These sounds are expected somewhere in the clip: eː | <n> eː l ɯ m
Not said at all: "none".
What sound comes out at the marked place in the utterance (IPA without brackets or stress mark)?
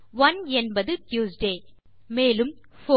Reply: m